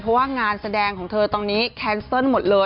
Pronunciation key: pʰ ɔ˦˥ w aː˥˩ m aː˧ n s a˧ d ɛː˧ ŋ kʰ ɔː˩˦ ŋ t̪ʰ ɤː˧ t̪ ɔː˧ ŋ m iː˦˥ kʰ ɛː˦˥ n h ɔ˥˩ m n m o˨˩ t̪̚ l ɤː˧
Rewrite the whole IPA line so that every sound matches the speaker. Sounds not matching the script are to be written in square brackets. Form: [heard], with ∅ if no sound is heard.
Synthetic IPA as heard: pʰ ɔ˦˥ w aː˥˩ [ŋ] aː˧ n s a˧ d ɛː˧ ŋ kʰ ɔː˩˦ ŋ t̪ʰ ɤː˧ t̪ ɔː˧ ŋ [n] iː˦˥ kʰ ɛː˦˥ n [s] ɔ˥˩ [∅] n m o˨˩ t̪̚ l ɤː˧